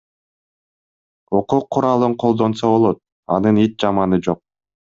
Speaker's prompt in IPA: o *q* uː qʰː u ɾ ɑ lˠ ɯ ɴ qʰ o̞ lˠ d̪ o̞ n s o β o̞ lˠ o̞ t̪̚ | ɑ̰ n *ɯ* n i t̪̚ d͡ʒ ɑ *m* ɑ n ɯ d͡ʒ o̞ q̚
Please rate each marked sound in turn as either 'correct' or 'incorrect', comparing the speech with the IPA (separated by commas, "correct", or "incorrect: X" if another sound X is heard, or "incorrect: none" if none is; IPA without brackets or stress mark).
correct, correct, correct